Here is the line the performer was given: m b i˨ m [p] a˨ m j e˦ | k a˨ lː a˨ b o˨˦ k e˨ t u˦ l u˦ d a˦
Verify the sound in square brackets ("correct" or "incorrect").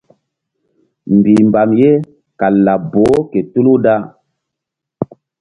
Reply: incorrect